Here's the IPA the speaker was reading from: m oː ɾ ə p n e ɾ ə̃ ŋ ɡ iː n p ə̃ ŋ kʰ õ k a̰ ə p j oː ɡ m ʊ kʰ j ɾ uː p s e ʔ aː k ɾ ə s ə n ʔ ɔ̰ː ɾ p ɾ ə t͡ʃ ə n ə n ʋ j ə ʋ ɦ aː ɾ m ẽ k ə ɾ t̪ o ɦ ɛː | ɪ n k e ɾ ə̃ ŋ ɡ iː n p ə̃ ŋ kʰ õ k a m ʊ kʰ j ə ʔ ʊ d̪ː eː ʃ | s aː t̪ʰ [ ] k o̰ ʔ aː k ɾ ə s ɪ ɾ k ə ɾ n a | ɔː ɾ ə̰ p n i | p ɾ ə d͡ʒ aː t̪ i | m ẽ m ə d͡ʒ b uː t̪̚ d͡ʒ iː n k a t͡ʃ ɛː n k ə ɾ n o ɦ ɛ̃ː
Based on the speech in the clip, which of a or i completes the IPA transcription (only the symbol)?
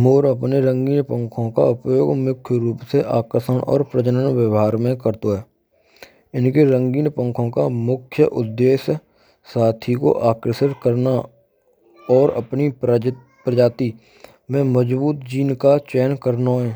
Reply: i